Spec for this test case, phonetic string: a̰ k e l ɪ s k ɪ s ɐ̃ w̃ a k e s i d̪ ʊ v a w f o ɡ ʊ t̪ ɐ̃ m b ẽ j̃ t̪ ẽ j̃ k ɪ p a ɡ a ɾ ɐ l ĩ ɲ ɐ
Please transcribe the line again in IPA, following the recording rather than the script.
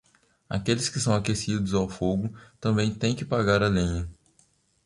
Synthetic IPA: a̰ k e l ɪ s k ɪ s ɐ̃ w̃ a k e s i d̪ ʊ z a w f o ɡ ʊ t̪ ɐ̃ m b ẽ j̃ t̪ ẽ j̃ k ɪ p a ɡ a ɾ ɐ l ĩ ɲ ɐ